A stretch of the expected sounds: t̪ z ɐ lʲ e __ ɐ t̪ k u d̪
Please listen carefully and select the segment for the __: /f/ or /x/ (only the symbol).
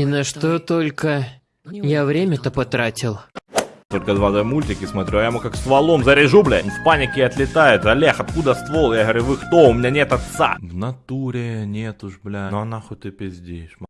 x